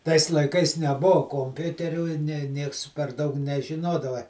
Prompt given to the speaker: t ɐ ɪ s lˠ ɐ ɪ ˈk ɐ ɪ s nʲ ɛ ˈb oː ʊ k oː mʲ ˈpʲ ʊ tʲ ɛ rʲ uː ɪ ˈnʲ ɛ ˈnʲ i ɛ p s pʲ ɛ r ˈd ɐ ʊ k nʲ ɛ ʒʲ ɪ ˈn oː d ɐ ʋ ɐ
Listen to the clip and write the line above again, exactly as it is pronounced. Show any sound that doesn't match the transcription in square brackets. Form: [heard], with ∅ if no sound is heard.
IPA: t ɐ ɪ s lˠ ɐ ɪ ˈk ɐ ɪ s nʲ ɛ ˈb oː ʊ k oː mʲ ˈpʲ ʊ tʲ ɛ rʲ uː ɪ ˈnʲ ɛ ˈnʲ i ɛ [k] s pʲ ɛ r ˈd ɐ ʊ k nʲ ɛ ʒʲ ɪ ˈn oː d ɐ ʋ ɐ